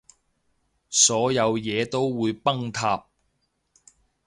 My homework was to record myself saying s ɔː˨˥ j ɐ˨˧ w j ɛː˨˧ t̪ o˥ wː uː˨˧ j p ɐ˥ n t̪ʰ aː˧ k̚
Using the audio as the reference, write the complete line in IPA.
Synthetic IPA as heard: s ɔː˨˥ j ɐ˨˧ w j ɛː˨˧ t̪ o˥ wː uː˨˧ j p ɐ˥ ŋ t̪ʰ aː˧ p̚

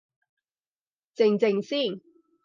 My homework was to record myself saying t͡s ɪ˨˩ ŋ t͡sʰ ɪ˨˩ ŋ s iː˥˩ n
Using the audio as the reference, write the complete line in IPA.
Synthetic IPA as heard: t͡s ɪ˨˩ ŋ t͡s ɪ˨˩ ŋ s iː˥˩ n

